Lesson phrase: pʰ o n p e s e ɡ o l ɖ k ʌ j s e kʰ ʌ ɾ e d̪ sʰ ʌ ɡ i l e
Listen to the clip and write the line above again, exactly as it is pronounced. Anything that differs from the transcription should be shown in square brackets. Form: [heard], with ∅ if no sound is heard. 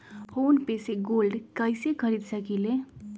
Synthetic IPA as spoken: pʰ o n p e s e ɡ o l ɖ k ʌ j s e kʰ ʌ ɾ [i] d̪ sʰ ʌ [k] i l e